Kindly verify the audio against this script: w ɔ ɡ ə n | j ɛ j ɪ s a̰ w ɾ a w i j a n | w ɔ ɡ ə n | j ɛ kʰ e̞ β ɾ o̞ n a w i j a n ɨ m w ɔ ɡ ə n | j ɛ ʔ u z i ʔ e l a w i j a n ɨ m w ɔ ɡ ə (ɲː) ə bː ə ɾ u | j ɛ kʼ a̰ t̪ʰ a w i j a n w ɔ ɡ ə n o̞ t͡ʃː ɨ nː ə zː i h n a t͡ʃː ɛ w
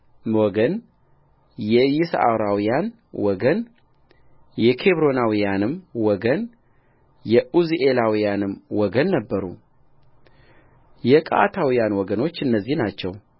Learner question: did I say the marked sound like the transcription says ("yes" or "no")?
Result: no